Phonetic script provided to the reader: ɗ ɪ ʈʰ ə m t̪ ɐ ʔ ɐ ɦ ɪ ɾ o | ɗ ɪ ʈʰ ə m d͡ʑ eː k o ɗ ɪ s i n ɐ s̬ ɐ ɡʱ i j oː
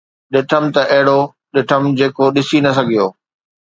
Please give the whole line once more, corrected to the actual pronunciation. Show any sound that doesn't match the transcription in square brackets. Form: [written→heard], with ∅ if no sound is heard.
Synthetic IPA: ɗ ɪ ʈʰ ə m t̪ ɐ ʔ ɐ ɦ ɪ [ɾ→ɽ] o | ɗ ɪ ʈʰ ə m d͡ʑ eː k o ɗ ɪ s i n ɐ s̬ ɐ ɡʱ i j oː

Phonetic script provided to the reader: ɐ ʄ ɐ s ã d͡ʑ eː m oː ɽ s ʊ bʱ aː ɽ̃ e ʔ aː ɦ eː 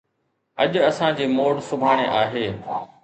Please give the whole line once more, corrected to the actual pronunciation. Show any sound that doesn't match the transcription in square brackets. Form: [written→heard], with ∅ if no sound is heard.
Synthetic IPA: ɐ ʄ ɐ s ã d͡ʑ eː m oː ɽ s ʊ bʱ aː ɽ̃ e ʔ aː ɦ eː

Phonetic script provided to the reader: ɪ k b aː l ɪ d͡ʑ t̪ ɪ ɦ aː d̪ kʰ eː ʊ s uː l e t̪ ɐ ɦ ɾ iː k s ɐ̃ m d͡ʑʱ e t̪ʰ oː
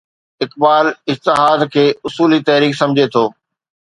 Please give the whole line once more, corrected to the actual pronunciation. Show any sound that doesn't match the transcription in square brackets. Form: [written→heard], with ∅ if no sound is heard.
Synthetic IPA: ɪ k b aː l ɪ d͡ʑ t̪ ɪ ɦ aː d̪ kʰ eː ʊ s uː l [e→i] t̪ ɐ ɦ ɾ iː k s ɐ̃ m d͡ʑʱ e t̪ʰ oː

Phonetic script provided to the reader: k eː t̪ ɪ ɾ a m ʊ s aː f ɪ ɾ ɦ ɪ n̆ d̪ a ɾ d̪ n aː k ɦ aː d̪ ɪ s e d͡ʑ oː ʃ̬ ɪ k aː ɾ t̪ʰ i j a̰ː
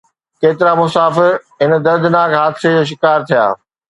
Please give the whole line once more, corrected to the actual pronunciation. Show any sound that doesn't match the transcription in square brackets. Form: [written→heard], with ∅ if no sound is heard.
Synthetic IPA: k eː t̪ ɪ ɾ a m ʊ s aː f ɪ ɾ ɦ ɪ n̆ d̪ [a→ɐ] ɾ d̪ n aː k ɦ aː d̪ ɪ s e d͡ʑ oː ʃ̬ ɪ k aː ɾ t̪ʰ i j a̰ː

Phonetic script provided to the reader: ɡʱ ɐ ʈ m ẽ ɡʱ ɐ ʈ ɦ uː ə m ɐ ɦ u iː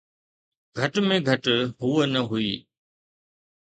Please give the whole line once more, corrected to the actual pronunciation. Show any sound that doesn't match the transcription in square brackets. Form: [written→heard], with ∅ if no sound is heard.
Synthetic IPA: ɡʱ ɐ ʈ m ẽ ɡʱ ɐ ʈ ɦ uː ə [m→n] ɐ ɦ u iː

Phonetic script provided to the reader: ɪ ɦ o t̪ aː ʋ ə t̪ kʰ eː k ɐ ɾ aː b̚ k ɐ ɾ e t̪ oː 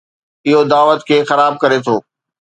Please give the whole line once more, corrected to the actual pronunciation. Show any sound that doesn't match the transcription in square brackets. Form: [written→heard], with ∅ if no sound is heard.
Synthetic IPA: ɪ ɦ o [t̪→d̪] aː ʋ ə t̪ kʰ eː [k→x] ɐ ɾ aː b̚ k ɐ ɾ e [t̪→t̪ʰ] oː

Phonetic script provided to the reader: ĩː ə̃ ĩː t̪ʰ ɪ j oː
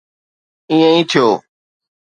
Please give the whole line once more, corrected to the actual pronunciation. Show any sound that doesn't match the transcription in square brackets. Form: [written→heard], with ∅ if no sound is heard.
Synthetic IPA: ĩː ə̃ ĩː t̪ʰ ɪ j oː

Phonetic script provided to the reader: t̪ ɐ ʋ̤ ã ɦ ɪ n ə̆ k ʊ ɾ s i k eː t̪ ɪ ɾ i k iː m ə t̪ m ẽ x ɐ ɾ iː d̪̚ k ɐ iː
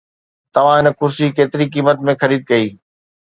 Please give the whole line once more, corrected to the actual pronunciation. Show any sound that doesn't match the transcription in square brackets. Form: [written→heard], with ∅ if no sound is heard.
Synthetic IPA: t̪ ɐ ʋ̤ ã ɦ ɪ n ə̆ k ʊ ɾ s i k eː t̪ ɪ ɾ i k iː m ə t̪ m ẽ x ɐ ɾ iː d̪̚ k ɐ iː

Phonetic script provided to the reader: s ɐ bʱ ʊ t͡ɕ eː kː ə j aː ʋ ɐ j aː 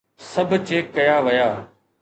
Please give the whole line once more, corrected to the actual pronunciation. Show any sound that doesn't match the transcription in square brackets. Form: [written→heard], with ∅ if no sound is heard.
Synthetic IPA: s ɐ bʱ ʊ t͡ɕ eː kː [ə→ɐ] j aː ʋ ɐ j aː

